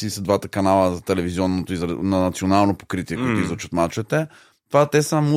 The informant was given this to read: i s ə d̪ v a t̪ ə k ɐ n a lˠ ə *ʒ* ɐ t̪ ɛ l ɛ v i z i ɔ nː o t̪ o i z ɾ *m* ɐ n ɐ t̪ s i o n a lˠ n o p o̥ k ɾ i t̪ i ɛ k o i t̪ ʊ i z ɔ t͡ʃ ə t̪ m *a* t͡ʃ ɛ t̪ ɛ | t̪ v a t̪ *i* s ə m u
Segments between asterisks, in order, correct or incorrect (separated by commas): incorrect, incorrect, correct, incorrect